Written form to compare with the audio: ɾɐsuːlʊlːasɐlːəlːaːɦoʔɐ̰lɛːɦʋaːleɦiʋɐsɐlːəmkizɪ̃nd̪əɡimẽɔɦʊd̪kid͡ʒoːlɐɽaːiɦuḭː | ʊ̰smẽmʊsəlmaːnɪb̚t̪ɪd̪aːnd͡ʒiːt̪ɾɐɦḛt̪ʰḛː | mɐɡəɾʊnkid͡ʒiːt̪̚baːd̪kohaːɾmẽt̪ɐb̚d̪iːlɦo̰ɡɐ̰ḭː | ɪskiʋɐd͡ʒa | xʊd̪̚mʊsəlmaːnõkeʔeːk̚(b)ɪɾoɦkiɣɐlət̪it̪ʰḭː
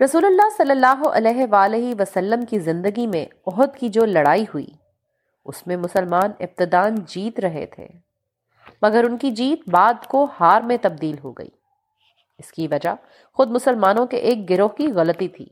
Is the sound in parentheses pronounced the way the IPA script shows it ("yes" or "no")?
no